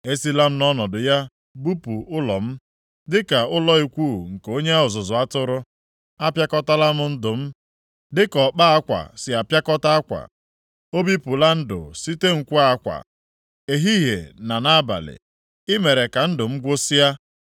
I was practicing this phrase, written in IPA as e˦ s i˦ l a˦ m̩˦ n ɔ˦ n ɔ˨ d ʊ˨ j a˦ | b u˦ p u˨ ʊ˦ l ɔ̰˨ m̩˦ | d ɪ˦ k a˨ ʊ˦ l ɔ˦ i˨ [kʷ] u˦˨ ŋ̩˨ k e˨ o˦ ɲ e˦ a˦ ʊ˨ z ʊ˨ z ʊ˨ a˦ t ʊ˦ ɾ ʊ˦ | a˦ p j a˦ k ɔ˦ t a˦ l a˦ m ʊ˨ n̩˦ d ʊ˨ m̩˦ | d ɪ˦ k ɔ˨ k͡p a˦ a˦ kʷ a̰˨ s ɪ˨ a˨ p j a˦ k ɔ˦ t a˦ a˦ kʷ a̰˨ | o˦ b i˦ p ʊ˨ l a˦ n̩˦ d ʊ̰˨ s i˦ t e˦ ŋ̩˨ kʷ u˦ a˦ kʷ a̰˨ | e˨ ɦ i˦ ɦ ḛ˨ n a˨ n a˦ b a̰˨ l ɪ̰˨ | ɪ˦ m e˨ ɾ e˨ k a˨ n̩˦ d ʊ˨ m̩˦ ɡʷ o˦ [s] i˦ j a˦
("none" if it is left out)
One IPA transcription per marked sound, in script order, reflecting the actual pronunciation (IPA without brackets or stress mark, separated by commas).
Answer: kʷ, s